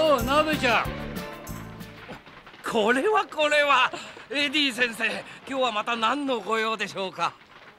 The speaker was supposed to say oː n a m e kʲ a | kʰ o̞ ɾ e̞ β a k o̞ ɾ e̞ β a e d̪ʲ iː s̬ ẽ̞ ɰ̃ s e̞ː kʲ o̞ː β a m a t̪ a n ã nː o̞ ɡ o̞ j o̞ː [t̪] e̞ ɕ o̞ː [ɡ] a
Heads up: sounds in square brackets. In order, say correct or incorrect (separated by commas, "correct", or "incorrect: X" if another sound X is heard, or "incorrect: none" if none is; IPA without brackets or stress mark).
incorrect: d̪, incorrect: k